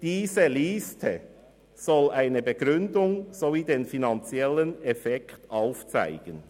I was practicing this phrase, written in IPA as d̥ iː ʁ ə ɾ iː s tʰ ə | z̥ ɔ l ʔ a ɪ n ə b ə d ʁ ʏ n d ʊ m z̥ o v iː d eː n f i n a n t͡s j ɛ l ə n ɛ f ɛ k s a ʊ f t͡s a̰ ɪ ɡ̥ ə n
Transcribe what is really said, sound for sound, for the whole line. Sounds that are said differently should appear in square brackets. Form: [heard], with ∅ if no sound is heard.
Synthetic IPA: d̥ iː [z] ə [l] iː s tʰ ə | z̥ ɔ l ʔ a ɪ n ə b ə [ɡ] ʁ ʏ n d ʊ [ŋ] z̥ o v iː d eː n f i n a n t͡s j ɛ l ə n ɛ f ɛ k [t] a ʊ f t͡s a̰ ɪ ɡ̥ ə n